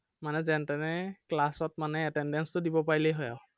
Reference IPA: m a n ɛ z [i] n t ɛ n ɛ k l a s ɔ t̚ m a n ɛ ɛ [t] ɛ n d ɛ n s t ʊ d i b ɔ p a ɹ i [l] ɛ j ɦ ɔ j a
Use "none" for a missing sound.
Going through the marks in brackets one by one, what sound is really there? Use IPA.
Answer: ɛ, t, l

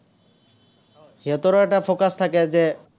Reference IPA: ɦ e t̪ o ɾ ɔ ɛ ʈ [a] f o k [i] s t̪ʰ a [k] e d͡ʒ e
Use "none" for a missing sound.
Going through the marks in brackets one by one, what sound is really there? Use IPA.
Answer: a, a, k

